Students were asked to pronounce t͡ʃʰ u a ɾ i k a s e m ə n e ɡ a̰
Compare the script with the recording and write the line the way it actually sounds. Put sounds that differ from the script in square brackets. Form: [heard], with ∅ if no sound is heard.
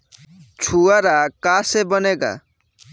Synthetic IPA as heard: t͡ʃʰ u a ɾ [a] k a s e [b] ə n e ɡ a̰